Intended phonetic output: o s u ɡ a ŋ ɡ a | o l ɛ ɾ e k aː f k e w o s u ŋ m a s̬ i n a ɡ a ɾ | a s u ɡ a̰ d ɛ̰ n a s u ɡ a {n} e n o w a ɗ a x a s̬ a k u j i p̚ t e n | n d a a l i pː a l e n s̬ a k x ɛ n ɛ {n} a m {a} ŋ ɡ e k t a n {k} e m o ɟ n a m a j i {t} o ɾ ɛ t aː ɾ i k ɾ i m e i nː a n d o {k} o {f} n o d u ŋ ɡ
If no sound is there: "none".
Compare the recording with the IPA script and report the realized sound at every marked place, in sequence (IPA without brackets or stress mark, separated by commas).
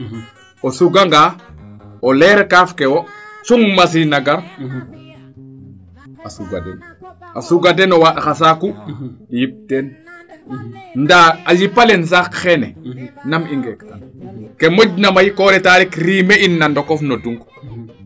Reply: d, n, i, k, k, k, f